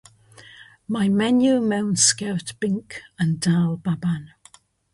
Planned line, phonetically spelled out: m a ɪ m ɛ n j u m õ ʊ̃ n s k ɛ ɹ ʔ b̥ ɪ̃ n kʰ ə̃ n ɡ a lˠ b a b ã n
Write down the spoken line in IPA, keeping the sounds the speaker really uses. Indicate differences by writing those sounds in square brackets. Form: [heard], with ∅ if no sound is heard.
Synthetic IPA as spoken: m a ɪ m ɛ n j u m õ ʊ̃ n s k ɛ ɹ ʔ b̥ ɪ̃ [ŋ] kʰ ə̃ n [d] a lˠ b a b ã n